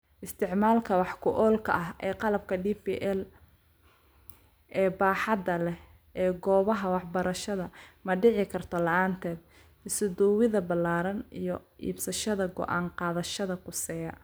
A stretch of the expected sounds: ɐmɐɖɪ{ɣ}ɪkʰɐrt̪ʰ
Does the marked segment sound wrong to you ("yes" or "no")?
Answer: yes